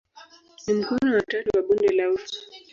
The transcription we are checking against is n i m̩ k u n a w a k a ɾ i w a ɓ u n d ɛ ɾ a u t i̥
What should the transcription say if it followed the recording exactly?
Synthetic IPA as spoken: n i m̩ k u n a w a t a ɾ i w a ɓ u n d ɛ l a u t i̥